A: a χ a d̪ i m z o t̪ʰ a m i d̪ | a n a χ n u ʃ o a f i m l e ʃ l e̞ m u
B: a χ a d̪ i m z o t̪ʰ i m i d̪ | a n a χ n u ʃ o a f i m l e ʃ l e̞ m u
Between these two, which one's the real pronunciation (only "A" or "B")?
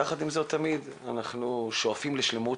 A